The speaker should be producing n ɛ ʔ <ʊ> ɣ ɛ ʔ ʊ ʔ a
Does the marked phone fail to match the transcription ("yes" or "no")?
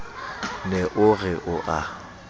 no